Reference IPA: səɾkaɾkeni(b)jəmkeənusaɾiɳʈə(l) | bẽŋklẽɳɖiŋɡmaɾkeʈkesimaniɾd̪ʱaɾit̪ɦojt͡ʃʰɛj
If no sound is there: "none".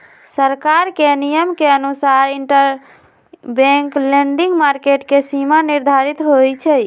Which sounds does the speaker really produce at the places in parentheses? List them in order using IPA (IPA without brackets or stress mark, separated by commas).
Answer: none, ɾ